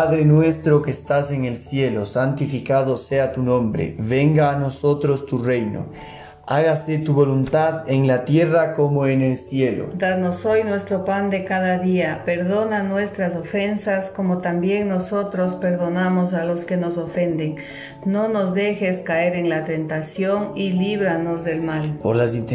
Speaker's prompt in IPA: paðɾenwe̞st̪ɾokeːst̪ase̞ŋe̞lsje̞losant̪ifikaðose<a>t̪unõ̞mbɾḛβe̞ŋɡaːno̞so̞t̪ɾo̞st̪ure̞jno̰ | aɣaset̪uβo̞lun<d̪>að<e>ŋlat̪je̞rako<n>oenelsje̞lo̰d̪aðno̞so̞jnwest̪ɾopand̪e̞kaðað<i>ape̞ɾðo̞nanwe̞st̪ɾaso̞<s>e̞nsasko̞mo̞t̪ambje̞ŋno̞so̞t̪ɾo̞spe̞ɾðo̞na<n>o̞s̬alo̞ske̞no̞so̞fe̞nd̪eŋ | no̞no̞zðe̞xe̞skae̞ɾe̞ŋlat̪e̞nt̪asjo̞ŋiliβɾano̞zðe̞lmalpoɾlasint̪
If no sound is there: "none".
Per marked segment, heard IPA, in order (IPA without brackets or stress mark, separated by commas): a, t̪, e, m, i, f, m